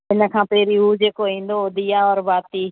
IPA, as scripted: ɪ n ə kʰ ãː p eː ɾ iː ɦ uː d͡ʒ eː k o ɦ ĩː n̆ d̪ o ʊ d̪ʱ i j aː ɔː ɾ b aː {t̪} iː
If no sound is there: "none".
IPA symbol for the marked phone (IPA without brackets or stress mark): t̪